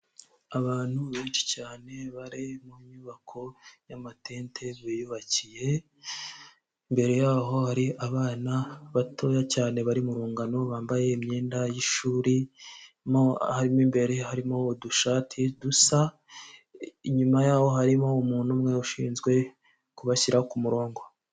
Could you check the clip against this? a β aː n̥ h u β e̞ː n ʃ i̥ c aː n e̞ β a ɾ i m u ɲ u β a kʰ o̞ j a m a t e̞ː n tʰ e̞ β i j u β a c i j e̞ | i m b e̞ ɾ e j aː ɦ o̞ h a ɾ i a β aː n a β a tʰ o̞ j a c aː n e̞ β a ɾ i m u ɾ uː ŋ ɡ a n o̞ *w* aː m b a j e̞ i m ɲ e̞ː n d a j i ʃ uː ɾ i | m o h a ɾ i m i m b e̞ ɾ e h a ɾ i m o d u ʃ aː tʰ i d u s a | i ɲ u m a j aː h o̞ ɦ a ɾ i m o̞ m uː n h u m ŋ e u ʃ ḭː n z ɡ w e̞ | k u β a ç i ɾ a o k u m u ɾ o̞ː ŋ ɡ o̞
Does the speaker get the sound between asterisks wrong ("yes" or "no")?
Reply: yes